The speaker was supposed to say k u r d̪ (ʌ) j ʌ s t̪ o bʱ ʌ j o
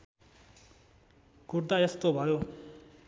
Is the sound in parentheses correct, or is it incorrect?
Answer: incorrect